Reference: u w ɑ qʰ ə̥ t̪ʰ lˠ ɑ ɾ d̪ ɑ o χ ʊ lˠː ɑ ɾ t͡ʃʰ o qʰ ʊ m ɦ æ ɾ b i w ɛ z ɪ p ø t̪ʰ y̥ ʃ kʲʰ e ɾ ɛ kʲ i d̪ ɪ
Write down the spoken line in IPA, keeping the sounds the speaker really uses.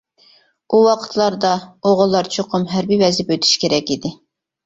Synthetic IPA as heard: u w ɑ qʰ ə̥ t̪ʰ lˠ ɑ ɾ d̪ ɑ o ʁ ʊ lˠː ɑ ɾ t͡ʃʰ o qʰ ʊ m ɦ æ ɾ b i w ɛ z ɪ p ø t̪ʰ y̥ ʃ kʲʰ e ɾ ɛ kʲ i d̪ ɪ